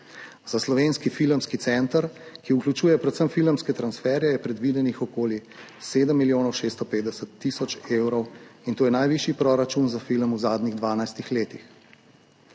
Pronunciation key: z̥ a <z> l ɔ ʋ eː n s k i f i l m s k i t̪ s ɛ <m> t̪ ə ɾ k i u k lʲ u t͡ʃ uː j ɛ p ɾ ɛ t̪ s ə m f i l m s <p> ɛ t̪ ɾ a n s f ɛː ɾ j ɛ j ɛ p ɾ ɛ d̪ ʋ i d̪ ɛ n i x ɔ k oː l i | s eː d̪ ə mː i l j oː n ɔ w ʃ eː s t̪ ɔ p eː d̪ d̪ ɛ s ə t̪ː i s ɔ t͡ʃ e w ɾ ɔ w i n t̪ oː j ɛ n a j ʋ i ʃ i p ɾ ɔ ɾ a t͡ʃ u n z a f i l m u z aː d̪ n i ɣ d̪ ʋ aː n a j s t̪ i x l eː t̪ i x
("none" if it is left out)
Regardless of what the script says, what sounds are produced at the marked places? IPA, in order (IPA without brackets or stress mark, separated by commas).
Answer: s, n, k